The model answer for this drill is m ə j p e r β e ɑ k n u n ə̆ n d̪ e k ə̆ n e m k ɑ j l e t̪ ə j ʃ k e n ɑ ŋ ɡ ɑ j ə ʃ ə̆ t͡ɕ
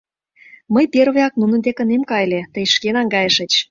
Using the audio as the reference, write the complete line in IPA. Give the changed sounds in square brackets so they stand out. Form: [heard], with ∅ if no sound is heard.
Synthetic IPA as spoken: m ə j p e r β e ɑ k n u n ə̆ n d̪ e k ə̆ n e m k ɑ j l e t̪ ə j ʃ k e n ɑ ŋ ɡ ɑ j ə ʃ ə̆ t͡ɕ